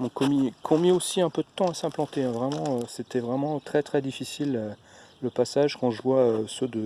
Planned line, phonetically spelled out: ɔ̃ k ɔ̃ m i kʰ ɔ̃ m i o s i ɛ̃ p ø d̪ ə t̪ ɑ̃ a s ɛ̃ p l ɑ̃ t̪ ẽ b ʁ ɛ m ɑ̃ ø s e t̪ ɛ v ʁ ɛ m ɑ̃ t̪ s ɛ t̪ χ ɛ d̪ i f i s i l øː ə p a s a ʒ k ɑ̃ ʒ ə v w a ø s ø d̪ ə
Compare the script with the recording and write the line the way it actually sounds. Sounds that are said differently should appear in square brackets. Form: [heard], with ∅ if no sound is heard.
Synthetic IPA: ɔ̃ k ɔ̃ m i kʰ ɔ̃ m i o s i ɛ̃ p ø d̪ ə t̪ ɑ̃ a s ɛ̃ p l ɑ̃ t̪ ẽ [v] ʁ ɛ m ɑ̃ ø s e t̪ ɛ v ʁ ɛ m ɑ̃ t̪ [χ] ɛ t̪ χ ɛ d̪ i f i s i l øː ə p a s a ʒ k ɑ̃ ʒ ə v w a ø s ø d̪ ə